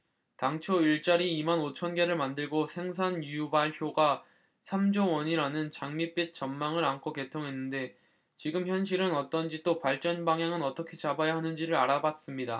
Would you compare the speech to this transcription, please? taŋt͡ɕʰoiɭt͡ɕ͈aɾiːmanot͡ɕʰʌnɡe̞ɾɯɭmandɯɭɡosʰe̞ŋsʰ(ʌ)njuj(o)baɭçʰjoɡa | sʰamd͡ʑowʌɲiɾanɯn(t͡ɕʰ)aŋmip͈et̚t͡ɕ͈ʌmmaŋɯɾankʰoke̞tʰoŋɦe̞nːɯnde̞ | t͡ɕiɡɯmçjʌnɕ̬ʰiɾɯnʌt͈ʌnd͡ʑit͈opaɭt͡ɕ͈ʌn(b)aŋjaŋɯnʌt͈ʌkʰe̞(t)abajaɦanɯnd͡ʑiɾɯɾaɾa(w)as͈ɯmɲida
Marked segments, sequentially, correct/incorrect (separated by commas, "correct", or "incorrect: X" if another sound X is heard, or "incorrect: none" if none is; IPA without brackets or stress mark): incorrect: a, incorrect: u, incorrect: t͡ɕ, correct, incorrect: t͡ɕ, incorrect: b